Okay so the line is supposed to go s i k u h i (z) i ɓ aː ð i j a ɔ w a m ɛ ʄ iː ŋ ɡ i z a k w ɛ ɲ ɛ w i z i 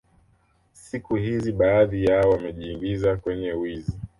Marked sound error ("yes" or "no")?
no